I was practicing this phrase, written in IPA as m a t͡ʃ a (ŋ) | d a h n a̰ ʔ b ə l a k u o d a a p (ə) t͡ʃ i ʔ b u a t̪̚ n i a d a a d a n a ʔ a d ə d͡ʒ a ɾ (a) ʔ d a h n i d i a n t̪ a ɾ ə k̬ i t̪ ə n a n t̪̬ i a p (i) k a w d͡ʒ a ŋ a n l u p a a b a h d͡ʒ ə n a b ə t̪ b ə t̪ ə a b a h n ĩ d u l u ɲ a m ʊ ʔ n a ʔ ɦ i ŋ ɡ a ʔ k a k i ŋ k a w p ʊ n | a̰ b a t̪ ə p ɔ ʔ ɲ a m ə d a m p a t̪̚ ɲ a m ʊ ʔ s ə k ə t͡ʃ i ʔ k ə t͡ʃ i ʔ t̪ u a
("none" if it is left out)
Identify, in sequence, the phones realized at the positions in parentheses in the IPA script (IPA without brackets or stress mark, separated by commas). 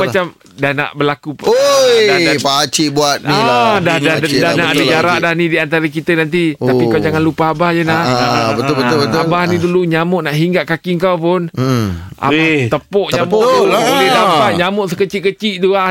m, a, a, i